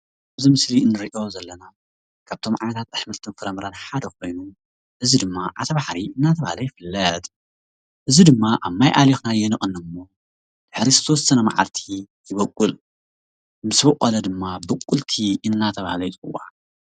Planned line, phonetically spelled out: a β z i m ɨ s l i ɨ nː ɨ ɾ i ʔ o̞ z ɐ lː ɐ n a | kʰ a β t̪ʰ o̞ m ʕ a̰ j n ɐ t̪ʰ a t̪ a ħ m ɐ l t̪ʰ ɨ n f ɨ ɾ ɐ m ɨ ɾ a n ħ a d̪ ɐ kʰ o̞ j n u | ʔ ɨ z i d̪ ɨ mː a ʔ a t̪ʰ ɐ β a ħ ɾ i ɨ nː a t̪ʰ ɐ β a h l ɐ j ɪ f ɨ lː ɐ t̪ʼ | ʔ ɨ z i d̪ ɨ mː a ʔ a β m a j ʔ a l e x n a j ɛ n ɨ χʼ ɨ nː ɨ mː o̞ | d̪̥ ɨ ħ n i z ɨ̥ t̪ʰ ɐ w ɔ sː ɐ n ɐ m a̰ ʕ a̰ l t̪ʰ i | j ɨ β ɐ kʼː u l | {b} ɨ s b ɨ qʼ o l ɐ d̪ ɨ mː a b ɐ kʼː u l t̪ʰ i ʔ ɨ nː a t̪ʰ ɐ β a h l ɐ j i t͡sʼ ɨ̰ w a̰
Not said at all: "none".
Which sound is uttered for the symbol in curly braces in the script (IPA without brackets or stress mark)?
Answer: m